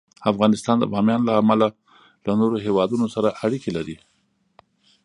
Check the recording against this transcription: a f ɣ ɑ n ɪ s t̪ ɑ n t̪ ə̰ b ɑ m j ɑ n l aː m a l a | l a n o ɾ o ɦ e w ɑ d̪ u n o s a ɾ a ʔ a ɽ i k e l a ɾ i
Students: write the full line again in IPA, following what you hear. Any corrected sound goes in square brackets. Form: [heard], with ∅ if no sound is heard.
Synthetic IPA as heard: a f ɣ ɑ n ɪ s t̪ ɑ n [d̪] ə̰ b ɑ m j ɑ n l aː m a l a | l a n o ɾ o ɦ e w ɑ d̪ u n o s a ɾ a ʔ a ɽ i k e l a ɾ i